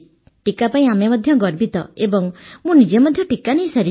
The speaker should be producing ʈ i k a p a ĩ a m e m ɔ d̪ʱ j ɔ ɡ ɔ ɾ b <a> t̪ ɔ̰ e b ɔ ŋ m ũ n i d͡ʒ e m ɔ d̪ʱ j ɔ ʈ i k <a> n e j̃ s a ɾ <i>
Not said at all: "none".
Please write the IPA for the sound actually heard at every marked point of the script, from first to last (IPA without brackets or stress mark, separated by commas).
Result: i, a, i